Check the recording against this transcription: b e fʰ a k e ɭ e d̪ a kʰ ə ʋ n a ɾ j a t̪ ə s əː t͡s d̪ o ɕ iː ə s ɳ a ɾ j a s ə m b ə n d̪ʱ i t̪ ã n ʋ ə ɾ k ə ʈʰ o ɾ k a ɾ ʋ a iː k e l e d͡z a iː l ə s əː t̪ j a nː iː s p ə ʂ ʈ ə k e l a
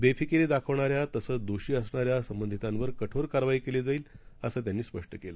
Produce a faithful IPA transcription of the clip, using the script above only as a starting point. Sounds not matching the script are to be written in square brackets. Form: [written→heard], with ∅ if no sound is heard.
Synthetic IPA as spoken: b e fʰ [a→i] k e [ɭ→ɾ] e d̪ a kʰ ə ʋ [n→ɳ] a ɾ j a t̪ ə s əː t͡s d̪ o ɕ iː ə s ɳ a ɾ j a s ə m b ə n d̪ʱ i t̪ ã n ʋ ə ɾ k ə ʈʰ o ɾ k a ɾ ʋ a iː k e l e d͡z a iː l ə s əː t̪ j a nː iː s p ə ʂ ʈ ə k e l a

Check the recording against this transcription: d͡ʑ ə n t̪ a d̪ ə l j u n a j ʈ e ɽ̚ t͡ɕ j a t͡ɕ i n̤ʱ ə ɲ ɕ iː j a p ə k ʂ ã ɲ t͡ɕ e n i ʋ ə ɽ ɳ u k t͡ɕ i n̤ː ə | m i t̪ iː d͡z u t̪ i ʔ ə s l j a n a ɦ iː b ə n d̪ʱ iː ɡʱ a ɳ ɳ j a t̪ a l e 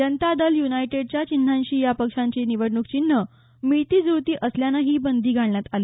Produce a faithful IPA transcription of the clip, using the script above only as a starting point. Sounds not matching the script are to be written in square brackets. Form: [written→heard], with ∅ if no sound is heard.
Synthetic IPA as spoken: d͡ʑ ə n t̪ a d̪ ə l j u n a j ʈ e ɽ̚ t͡ɕ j a t͡ɕ i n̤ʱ [ə→a] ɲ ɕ iː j a p ə k ʂ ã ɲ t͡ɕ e n i ʋ ə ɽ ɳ u k t͡ɕ i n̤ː ə | m i t̪ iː d͡z u t̪ [i→iː] ʔ ə s l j a n a ɦ iː b ə n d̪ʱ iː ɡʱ a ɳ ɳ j a t̪ a l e

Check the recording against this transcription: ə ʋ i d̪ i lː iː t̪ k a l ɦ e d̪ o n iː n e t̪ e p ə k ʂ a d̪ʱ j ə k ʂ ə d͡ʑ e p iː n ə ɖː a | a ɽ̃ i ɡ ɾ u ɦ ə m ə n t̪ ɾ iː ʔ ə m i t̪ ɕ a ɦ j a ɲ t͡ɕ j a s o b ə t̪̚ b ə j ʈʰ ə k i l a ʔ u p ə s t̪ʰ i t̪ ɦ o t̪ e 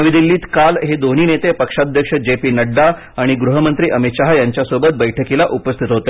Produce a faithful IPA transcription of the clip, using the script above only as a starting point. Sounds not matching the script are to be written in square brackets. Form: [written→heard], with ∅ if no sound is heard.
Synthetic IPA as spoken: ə ʋ i d̪ i lː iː t̪ k a l ɦ e d̪ o n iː n e t̪ e p ə k ʂ a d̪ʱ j ə k ʂ ə d͡ʑ e p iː n ə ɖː a | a ɽ̃ i ɡ ɾ u ɦ ə m ə n t̪ ɾ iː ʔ ə m i t̪ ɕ a ɦ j a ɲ t͡ɕ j a s o b ə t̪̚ b ə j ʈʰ ə k i l a ʔ u p ə s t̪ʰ i t̪ ɦ o t̪ e

